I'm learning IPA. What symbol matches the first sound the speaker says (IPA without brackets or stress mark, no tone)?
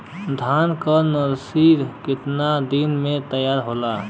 d̪ʱ